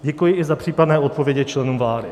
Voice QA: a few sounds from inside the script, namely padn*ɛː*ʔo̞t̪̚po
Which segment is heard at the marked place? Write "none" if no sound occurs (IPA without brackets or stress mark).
ɛː